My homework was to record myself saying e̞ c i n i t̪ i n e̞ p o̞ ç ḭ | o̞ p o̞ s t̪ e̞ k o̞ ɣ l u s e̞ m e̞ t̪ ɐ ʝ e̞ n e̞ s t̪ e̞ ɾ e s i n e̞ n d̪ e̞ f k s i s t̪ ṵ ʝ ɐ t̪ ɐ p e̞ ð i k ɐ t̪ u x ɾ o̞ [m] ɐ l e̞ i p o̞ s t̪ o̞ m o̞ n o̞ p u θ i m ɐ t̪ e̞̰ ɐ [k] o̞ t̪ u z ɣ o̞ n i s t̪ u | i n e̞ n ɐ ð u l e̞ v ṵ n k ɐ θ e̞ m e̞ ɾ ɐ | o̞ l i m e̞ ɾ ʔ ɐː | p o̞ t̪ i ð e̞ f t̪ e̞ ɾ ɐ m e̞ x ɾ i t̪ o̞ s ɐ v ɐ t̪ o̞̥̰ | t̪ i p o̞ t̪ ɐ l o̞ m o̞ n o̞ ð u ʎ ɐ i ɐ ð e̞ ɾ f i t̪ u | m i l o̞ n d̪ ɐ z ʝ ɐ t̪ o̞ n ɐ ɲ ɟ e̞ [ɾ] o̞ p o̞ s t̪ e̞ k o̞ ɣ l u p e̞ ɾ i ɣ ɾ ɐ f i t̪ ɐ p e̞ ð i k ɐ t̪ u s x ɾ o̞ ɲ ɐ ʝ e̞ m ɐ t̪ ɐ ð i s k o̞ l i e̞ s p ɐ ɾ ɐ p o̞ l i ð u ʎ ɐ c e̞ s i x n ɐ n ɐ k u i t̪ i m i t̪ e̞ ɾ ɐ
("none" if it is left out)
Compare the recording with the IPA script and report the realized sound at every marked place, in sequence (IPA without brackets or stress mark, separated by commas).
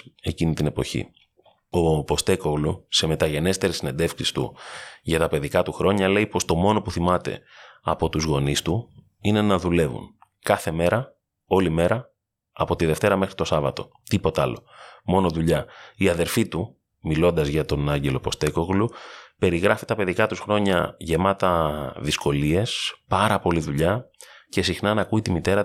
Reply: ɲ, p, l